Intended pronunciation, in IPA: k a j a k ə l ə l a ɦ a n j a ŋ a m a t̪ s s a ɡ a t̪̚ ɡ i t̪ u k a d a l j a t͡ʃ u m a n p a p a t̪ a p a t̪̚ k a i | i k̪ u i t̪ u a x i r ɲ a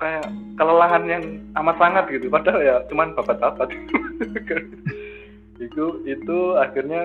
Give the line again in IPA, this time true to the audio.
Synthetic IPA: k a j a k ə l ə l a ɦ a n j a ŋ a m a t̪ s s a ŋ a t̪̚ ɡ i t̪ u p a d a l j a t͡ʃ u m a n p a p a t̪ a p a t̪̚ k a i | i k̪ u i t̪ u a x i r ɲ a